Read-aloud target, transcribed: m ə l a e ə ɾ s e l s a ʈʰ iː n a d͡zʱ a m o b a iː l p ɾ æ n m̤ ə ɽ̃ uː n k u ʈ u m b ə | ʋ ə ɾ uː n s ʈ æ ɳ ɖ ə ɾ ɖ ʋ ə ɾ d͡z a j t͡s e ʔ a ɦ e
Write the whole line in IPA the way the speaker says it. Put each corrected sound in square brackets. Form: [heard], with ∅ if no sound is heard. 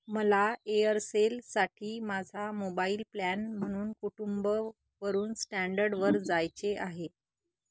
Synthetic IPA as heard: m ə l a e ə ɾ s e l s a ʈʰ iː [m] a d͡zʱ a m o b a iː l p [l] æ n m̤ ə ɽ̃ uː n k u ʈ u m b ə | ʋ ə ɾ uː n s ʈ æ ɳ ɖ ə ɾ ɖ ʋ ə ɾ d͡z a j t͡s e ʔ a ɦ e